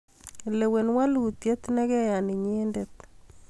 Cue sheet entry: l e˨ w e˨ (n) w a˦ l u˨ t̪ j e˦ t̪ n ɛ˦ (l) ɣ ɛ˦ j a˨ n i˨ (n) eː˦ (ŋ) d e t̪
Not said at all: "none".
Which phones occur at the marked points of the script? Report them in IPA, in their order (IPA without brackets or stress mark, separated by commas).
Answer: n, none, ɲ, n